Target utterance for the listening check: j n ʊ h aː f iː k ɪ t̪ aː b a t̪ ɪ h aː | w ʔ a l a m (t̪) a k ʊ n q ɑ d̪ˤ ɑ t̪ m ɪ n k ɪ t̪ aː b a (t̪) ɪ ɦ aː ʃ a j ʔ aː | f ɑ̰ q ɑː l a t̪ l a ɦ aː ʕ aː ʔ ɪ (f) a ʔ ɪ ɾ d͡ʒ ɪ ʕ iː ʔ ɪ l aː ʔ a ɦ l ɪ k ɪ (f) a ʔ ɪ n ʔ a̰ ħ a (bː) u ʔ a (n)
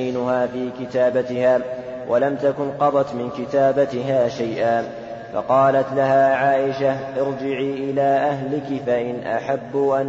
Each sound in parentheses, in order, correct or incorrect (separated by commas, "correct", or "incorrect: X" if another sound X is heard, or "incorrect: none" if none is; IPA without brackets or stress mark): correct, correct, incorrect: ʃ, correct, correct, correct